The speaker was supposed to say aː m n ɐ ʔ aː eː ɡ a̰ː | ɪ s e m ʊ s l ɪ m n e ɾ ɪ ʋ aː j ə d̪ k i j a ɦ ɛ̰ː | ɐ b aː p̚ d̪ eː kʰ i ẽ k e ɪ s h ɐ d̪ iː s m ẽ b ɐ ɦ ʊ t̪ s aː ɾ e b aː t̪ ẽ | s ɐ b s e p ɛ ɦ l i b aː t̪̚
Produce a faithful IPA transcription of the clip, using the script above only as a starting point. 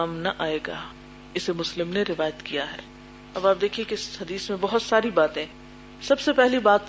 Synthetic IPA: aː m n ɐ ʔ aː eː ɡ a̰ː | ɪ s e m ʊ s l ɪ m n e ɾ ɪ ʋ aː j ə t̪ k i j a ɦ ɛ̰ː | ɐ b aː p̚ d̪ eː kʰ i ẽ k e ɪ s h ɐ d̪ iː s m ẽ b ɐ ɦ ʊ t̪ s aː ɾ i b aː t̪ ẽ | s ɐ b s e p ɛ ɦ l i b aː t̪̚